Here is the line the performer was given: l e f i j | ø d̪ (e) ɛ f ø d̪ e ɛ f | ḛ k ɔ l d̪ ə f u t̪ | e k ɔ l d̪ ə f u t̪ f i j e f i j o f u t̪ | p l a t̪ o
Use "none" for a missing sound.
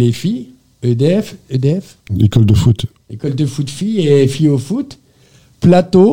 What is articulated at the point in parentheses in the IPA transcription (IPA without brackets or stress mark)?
e